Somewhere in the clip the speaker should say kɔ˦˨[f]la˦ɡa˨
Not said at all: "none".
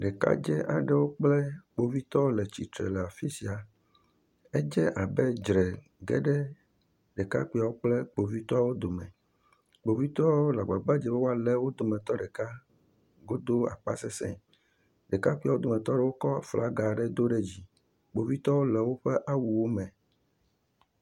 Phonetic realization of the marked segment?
f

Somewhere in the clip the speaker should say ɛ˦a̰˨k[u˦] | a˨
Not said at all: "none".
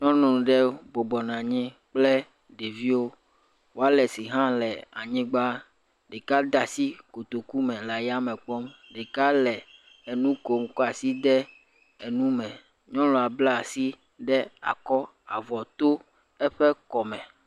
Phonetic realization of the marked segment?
ɔ˦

